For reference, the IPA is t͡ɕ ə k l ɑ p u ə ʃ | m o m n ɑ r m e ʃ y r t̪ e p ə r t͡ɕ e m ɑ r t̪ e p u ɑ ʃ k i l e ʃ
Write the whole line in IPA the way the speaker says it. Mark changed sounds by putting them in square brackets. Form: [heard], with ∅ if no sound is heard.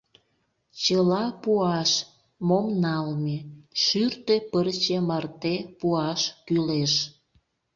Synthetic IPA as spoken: t͡ɕ ə [∅] l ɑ p u [ɑ] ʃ | m o m n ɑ [l] m e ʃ y r t̪ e p ə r t͡ɕ e m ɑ r t̪ e p u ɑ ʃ k [y] l e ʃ